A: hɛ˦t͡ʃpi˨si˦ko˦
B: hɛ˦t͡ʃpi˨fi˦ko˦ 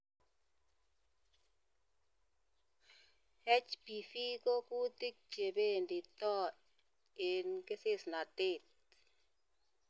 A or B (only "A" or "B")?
B